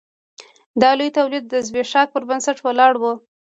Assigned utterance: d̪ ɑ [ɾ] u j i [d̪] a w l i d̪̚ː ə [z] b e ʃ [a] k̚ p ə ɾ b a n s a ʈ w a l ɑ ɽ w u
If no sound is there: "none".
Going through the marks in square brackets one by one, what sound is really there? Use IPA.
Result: l, t̪, z, ɑ

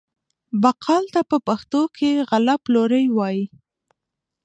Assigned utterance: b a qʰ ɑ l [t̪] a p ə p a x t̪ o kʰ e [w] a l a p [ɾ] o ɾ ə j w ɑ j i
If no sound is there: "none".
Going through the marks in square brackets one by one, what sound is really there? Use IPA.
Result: t̪, ɣ, l

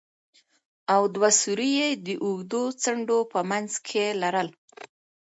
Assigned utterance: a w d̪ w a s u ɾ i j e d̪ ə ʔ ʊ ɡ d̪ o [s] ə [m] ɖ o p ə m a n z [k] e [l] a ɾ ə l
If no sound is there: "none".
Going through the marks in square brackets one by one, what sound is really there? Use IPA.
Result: t͡s, ɳ, kʰ, l

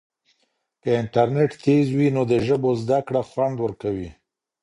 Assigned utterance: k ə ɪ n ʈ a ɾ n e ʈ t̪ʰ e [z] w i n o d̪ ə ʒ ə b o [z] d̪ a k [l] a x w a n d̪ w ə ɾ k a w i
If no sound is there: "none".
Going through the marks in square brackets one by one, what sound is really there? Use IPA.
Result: z, z, ɽ

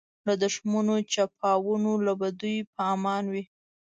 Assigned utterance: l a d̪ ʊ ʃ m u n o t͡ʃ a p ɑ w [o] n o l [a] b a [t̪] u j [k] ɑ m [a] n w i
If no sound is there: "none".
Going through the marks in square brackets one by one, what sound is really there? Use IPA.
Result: u, a, d̪, p, ɑ

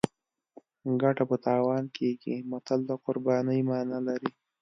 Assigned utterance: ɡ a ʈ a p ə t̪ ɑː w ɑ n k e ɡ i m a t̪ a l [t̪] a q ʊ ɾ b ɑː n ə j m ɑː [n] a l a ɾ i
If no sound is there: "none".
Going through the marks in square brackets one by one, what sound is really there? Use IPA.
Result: d̪, n

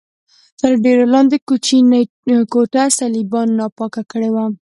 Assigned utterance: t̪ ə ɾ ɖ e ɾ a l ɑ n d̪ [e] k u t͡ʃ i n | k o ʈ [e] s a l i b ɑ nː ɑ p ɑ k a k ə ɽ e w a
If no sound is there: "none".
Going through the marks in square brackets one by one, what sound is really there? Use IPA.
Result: e, a

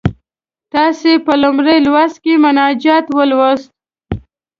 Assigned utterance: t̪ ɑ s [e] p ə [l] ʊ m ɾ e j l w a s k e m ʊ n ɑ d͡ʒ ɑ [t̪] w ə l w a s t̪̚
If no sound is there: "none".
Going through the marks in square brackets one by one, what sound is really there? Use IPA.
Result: e, l, t̪

